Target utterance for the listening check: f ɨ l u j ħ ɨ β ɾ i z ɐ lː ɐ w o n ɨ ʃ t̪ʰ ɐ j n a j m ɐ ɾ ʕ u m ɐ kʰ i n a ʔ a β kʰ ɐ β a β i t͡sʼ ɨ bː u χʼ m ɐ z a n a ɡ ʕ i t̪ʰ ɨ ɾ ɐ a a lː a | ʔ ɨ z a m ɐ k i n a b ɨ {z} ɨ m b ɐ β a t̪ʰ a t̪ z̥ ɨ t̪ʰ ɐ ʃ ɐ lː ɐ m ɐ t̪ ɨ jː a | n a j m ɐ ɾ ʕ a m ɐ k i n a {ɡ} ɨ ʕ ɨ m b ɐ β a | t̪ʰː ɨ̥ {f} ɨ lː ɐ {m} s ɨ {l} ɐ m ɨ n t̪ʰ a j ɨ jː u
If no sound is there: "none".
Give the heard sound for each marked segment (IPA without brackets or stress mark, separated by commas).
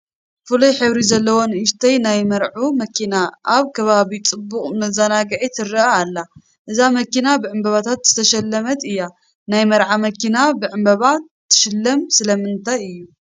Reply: ʕ, b, ʃ, m, l